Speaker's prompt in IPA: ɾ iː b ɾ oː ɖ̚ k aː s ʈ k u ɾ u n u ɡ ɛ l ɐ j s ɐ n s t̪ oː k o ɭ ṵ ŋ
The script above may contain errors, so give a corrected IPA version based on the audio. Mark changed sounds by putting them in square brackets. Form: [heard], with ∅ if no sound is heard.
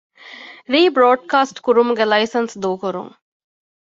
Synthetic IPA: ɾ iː b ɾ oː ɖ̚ k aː s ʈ k u ɾ u [m] u ɡ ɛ l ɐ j s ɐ n s [d̪] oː k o [ɾ] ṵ ŋ